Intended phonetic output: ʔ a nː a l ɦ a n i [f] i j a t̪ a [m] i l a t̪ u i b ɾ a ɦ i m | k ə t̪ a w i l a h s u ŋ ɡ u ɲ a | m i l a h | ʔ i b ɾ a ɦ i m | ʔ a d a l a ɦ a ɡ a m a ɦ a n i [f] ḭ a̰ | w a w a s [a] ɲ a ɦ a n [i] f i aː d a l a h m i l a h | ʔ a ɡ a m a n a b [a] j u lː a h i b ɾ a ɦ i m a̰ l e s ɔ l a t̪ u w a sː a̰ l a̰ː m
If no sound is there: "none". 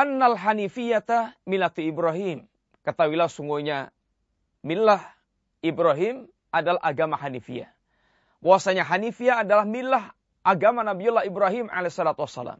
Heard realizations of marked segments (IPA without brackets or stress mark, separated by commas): f, m, f, a, i, i